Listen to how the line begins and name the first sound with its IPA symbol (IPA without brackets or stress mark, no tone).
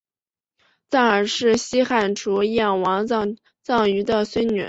t͡s